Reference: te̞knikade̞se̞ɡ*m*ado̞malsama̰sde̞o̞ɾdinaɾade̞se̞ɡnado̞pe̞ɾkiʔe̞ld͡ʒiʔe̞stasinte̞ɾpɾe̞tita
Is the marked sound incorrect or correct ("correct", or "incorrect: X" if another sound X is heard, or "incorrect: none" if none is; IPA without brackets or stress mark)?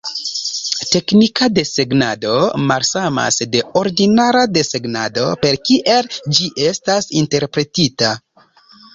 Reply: incorrect: n